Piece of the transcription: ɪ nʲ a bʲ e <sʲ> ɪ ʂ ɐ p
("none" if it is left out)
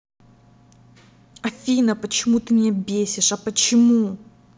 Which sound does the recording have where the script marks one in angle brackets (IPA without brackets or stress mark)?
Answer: sʲ